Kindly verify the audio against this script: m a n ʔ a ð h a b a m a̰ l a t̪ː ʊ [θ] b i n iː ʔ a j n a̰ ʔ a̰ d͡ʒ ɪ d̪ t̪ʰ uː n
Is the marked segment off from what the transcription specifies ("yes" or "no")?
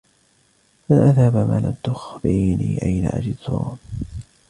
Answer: yes